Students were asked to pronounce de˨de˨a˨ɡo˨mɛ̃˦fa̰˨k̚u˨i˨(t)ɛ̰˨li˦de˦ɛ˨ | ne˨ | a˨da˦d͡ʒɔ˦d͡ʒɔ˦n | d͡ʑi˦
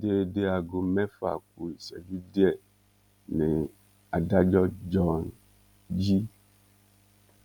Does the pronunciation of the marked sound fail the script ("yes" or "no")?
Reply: yes